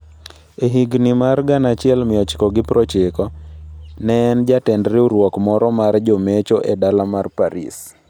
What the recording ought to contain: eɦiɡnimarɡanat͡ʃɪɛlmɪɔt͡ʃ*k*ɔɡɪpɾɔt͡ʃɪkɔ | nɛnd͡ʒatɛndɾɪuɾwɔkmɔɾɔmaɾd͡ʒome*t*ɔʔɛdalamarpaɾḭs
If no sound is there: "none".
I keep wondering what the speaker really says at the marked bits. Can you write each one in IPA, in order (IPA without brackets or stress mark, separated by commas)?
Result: k, t͡ʃ